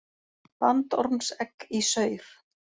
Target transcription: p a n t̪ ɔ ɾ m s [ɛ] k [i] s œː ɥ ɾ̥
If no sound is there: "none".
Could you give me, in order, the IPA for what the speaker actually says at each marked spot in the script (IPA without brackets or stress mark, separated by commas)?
ɛ, i